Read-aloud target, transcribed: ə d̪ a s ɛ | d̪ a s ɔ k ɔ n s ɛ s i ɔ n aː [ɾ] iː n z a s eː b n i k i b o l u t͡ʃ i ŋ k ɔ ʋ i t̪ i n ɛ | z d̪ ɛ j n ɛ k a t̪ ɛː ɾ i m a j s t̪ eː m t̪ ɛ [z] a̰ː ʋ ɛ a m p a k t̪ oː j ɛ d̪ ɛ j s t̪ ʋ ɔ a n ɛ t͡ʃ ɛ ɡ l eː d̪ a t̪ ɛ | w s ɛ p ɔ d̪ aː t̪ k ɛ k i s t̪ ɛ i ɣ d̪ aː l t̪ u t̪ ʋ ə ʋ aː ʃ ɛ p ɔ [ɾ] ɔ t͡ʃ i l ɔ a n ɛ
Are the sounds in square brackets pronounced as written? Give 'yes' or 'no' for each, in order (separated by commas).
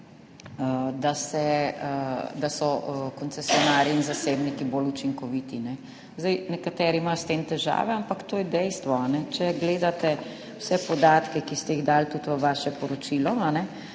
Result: yes, no, yes